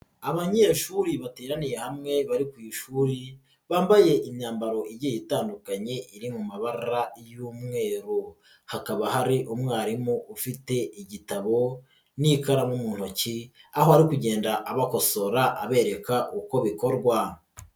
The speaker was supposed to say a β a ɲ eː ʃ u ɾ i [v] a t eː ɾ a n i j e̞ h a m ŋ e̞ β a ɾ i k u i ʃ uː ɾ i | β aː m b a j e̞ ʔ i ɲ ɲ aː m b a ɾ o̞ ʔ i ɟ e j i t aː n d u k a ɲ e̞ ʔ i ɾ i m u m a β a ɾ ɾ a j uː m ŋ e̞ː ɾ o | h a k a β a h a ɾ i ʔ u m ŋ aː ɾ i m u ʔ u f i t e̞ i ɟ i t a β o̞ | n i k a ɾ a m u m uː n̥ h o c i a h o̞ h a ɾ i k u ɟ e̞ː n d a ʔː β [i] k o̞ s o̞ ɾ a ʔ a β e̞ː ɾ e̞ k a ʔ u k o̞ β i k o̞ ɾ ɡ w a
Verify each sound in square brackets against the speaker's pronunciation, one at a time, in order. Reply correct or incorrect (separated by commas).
incorrect, incorrect